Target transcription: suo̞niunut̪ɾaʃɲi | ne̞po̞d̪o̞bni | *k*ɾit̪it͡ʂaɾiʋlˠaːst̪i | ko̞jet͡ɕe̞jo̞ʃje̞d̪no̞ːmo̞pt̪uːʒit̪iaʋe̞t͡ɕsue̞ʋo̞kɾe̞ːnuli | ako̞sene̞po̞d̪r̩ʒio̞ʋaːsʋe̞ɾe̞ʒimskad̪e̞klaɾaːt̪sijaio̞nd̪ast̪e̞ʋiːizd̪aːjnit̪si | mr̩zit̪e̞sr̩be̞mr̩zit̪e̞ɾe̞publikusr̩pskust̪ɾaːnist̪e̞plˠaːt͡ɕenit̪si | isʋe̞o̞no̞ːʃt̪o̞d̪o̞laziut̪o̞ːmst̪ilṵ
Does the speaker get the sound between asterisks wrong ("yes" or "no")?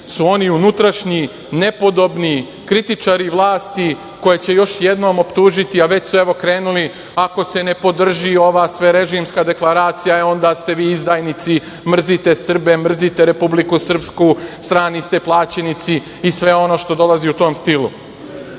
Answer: no